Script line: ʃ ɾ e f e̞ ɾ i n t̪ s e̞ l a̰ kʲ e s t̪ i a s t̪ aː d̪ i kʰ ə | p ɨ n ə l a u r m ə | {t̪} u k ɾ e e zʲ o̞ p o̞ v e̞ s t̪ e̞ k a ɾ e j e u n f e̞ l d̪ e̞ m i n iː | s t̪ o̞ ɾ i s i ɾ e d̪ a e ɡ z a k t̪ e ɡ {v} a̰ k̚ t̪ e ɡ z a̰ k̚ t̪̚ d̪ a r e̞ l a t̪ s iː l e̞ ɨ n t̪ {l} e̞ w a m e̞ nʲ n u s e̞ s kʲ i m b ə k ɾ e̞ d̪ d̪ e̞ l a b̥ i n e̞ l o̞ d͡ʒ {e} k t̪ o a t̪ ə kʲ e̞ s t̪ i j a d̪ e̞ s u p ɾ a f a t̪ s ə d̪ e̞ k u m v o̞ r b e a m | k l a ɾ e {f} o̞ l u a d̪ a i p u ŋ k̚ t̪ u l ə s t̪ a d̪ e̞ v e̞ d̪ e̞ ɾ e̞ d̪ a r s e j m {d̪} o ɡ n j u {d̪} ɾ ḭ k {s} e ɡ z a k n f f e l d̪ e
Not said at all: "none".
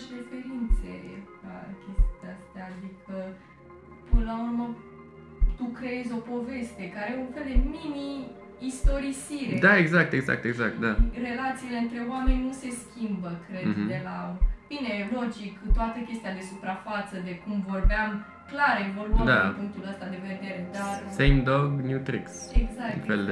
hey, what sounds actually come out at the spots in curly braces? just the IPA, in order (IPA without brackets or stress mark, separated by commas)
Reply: t̪, z, ɾ, i, v, d̪, t̪, s